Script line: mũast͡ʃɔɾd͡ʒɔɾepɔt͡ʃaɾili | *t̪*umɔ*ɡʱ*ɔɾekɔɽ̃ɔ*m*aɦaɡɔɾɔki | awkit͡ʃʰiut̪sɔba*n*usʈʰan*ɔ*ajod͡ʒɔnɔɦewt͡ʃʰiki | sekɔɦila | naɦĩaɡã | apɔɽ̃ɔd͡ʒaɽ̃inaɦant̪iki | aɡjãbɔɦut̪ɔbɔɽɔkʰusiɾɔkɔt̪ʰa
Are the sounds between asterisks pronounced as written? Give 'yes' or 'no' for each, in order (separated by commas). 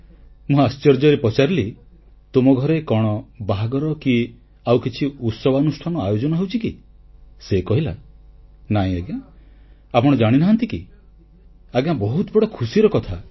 yes, yes, no, yes, yes